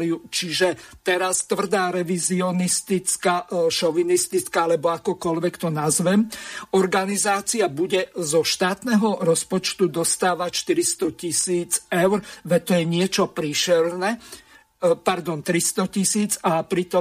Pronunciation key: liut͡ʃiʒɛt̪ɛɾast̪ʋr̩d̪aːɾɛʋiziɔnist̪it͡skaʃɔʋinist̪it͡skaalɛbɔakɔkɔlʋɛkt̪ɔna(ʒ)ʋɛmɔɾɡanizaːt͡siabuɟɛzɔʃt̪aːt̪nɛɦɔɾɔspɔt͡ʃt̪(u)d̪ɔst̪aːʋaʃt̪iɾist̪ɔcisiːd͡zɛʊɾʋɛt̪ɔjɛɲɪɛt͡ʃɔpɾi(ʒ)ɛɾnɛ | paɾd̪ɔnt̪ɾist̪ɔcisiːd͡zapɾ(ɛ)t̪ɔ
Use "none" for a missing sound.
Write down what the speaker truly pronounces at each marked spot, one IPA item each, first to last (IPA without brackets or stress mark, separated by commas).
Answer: z, u, ʃ, i